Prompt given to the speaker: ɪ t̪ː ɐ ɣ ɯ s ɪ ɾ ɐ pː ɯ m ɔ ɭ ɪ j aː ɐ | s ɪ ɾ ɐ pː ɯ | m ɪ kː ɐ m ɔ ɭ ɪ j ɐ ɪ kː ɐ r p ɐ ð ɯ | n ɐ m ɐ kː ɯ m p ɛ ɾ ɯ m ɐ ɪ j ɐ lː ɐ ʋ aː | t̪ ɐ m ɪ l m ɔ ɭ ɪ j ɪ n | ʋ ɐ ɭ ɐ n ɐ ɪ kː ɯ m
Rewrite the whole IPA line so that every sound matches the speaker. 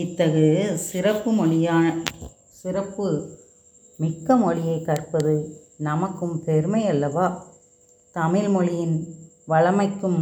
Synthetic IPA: ɪ t̪ː ɐ ɣ ɯ s ɪ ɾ ɐ pː ɯ m ɔ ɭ ɪ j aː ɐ | s ɪ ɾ ɐ pː ɯ | m ɪ kː ɐ m ɔ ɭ ɪ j ɐ ɪ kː ɐ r p ɐ ð ɯ | n ɐ m ɐ kː ɯ m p ɛ ɾ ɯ m ɐ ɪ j ɐ lː ɐ ʋ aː | t̪ ɐ m ɪ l m ɔ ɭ ɪ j ɪ n | ʋ ɐ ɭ ɐ m ɐ ɪ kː ɯ m